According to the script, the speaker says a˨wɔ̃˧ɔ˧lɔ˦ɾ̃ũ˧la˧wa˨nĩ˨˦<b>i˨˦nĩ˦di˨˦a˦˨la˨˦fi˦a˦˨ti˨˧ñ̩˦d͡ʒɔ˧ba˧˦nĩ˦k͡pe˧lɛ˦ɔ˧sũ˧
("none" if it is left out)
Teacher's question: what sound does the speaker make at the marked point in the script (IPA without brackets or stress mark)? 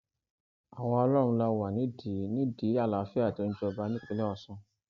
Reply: d